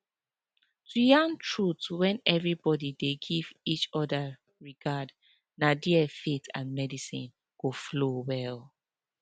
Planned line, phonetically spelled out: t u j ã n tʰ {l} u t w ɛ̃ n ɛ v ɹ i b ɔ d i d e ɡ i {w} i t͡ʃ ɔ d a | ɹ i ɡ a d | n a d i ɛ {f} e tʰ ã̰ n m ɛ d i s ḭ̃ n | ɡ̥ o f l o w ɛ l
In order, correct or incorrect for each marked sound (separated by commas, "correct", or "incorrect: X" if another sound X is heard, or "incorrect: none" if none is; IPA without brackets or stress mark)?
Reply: incorrect: ɹ, incorrect: v, correct